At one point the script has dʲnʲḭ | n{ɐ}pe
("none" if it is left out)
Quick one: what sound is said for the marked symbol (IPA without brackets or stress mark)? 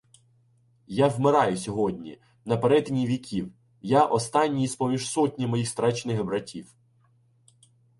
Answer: ɐ